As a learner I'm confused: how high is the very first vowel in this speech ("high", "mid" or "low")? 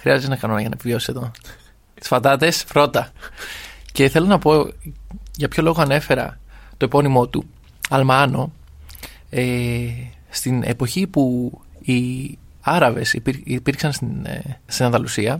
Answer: high